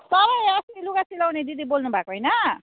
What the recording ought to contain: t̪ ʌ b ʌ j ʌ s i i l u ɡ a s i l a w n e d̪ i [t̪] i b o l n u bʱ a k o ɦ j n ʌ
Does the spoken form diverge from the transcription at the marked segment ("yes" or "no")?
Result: yes